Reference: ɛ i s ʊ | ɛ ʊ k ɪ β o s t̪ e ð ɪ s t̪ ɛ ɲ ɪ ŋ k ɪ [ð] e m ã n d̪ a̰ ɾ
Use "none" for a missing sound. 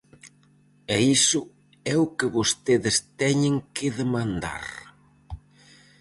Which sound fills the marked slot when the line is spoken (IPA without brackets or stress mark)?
ð